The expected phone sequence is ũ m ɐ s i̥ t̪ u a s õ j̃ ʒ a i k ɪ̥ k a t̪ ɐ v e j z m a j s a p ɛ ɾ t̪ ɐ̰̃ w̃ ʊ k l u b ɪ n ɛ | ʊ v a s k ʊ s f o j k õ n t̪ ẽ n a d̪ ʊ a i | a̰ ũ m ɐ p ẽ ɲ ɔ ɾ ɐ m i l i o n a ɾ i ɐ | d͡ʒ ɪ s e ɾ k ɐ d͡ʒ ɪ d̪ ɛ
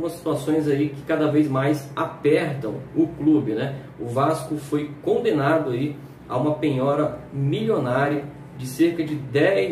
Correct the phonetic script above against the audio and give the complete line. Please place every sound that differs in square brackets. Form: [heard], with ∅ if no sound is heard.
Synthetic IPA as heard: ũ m ɐ s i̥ t̪ u a s õ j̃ [z] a i k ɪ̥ k a [d̪] ɐ v e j z m a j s a p ɛ ɾ t̪ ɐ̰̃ w̃ ʊ k l u b ɪ n ɛ | ʊ v a s k ʊ [∅] f o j k õ n [d̪] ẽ n a d̪ ʊ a i | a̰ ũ m ɐ p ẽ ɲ ɔ ɾ ɐ m i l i o n a ɾ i ɐ | d͡ʒ ɪ s e ɾ k ɐ d͡ʒ ɪ d̪ ɛ